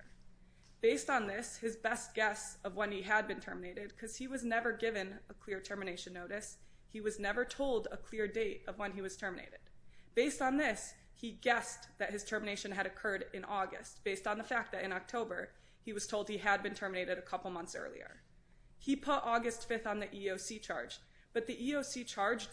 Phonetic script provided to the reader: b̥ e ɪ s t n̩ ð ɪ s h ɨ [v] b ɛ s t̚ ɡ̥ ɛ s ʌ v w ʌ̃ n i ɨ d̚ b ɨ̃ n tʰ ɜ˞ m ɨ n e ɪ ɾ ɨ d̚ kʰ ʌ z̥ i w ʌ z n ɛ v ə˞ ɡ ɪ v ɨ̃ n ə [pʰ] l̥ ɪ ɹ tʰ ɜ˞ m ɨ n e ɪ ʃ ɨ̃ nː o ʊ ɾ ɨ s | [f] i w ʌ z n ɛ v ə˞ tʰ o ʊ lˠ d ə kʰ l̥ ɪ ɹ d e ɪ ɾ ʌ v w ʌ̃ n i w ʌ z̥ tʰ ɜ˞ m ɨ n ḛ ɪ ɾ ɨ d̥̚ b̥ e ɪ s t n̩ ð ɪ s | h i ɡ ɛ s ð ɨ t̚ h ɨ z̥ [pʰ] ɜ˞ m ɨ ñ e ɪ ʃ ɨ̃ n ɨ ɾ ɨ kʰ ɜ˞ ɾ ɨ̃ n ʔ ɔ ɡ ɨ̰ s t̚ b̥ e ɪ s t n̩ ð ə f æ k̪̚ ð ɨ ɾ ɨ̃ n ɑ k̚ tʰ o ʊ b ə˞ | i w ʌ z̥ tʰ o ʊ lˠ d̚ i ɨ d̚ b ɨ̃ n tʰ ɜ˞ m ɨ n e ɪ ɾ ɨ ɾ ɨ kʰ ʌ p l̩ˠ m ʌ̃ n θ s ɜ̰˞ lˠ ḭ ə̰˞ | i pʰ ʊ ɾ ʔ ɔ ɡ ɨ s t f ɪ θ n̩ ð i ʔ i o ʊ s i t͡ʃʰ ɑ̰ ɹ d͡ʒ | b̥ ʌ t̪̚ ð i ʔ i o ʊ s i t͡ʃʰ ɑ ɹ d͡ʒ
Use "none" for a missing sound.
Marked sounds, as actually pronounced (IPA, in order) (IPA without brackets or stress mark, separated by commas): z, kʰ, h, tʰ